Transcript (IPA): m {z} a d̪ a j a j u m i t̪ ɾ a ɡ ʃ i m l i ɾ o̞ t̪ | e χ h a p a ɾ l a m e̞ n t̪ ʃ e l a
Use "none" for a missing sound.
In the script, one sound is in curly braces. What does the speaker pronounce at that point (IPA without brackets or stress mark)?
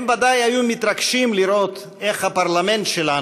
v